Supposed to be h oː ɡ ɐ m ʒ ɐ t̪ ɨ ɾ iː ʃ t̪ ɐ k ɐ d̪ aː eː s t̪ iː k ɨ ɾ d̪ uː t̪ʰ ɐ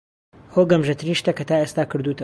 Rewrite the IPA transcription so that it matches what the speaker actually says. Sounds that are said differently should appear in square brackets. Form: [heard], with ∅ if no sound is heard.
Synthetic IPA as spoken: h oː ɡ ɐ m ʒ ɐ t̪ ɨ ɾ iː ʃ t̪ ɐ k ɐ [t̪] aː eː s t̪ [aː] k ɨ ɾ d̪ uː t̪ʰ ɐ